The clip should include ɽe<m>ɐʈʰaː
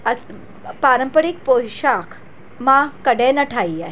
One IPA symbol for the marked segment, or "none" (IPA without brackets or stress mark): n